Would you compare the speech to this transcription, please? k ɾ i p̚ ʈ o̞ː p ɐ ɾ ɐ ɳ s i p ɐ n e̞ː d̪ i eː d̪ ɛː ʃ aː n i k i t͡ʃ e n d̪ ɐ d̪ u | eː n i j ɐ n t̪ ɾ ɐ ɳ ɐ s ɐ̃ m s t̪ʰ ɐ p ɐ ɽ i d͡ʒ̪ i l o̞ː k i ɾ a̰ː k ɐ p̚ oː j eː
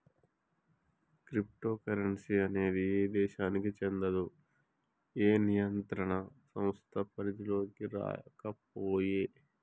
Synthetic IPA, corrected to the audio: k ɾ i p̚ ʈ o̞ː k ɐ ɾ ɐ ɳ s i ɐ n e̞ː d̪ i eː d̪ ɛː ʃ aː n i k i t͡ʃ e n d̪ ɐ d̪ u | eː n i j ɐ n t̪ ɾ ɐ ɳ ɐ s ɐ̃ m s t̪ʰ ɐ p ɐ ɾ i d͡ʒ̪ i l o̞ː k i ɾ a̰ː k ɐ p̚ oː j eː